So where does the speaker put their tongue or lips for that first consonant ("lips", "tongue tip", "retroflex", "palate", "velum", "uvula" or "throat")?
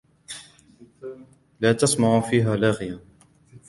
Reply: tongue tip